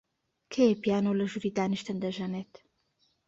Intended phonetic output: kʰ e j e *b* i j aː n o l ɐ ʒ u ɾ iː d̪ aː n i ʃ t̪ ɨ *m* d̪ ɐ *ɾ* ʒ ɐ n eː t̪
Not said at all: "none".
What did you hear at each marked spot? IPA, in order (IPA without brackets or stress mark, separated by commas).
p, n, none